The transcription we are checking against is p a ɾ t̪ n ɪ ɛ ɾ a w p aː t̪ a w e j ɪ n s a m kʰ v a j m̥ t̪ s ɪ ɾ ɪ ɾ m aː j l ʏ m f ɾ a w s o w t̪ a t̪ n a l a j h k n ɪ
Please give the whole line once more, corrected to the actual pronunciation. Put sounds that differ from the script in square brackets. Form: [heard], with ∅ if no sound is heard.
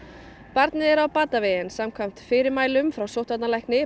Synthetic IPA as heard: p a ɾ t̪ n ɪ ɛ ɾ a w p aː t̪ a [v] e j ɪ n s a m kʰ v a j m̥ t̪ [f] ɪ ɾ ɪ ɾ m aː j l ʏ m f ɾ a w s o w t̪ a t̪ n a l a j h k n ɪ